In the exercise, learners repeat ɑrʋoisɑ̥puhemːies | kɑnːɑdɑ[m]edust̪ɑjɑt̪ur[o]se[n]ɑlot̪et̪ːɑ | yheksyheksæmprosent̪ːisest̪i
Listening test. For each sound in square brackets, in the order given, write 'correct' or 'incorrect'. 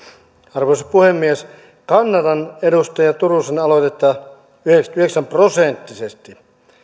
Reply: incorrect: n, incorrect: u, correct

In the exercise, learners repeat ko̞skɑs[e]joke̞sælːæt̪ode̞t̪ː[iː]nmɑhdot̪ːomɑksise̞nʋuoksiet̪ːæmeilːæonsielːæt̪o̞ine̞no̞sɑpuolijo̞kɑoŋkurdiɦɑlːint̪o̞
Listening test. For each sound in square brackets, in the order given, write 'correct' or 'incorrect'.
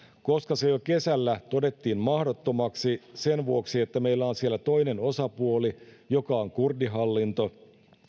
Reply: correct, correct

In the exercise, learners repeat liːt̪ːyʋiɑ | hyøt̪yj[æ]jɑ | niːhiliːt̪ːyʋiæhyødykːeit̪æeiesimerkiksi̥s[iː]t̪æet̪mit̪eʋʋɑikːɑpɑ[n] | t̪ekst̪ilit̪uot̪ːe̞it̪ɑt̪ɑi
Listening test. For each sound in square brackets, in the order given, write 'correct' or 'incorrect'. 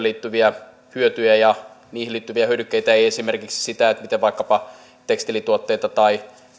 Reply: correct, incorrect: i, incorrect: none

